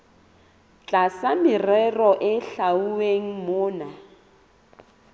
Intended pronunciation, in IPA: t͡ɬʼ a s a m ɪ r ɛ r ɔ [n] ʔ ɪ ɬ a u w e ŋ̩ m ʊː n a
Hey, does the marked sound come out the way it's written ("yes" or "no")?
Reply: no